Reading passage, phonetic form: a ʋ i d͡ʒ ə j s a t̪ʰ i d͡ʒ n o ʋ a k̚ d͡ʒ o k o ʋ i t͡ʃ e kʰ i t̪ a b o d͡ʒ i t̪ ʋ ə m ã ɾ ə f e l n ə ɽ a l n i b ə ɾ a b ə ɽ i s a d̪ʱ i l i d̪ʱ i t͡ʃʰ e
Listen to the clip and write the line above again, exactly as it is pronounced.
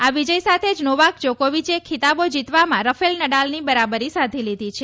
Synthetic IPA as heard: a ʋ i d͡ʒ ə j s a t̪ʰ e d͡ʒ n o ʋ a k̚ d͡ʒ o k o ʋ i t͡ʃ e kʰ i t̪ a b o d͡ʒ i t̪ ʋ a m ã ɾ ə f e l n ə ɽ a l n i b ə ɾ a b ə ɾ i s a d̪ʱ i l i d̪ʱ i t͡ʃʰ e